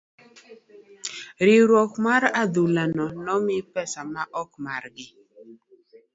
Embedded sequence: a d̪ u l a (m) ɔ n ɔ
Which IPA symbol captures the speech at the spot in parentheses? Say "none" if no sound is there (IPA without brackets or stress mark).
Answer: n